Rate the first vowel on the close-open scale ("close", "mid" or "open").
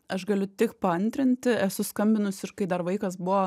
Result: open